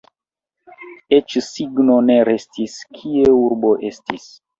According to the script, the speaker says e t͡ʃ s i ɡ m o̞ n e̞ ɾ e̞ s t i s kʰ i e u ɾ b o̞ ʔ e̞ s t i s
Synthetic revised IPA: e t͡ʃ s i ɡ n o̞ n e̞ ɾ e̞ s t i s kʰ i e u ɾ b o̞ ʔ e̞ s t i s